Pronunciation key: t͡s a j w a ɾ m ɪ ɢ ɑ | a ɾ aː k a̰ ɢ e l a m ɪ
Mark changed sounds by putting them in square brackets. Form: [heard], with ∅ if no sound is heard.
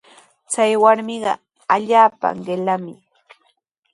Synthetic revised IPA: t͡s a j w a ɾ m ɪ ɢ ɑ | a [ʎ] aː [p] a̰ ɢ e l a m ɪ

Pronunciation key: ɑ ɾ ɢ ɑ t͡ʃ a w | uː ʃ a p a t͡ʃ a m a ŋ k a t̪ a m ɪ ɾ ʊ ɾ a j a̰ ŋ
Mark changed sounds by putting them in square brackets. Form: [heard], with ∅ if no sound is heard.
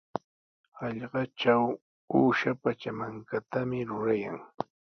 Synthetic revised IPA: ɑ [ʎ] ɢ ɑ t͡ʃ a w | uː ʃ a p a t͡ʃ a m a ŋ k a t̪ a m ɪ ɾ ʊ ɾ a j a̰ ŋ

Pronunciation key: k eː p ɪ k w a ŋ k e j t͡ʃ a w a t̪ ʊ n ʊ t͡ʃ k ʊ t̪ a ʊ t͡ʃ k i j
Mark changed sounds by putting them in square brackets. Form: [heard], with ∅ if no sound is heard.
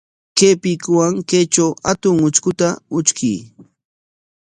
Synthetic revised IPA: k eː p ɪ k w a ŋ k e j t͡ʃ a w a t̪ ʊ [ŋ] ʊ t͡ʃ k ʊ t̪ a ʊ t͡ʃ k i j

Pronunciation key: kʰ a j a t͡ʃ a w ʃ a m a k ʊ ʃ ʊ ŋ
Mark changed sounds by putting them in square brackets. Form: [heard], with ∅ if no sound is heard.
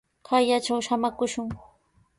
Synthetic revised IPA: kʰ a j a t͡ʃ a w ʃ a m a k ʊ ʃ ʊ ŋ

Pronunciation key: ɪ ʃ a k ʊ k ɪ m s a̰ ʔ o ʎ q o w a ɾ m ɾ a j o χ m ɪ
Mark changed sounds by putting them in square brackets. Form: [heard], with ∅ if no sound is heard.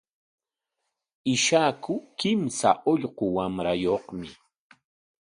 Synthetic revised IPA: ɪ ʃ a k ʊ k ɪ m s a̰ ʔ o ʎ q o w a [∅] m ɾ a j o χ m ɪ

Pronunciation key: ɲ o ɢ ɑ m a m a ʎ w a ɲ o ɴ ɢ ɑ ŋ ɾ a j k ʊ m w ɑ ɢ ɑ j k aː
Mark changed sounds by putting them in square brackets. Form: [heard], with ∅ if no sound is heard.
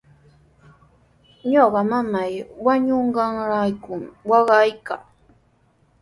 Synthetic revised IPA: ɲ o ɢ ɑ m a m a [j] w a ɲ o ɴ ɢ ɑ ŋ ɾ a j k ʊ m w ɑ ɢ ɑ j k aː

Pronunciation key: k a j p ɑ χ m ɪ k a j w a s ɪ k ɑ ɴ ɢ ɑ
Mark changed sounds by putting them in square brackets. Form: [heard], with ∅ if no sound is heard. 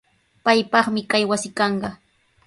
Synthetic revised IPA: [p] a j p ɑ χ m ɪ k a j w a s ɪ k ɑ ɴ ɢ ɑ

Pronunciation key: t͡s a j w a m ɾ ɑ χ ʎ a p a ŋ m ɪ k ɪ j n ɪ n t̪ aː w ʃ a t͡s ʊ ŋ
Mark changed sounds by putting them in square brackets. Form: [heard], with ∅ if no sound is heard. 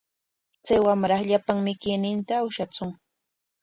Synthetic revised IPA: t͡s a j w a m ɾ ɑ χ ʎ a p a ŋ m ɪ k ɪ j n ɪ n t̪ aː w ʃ a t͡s ʊ ŋ

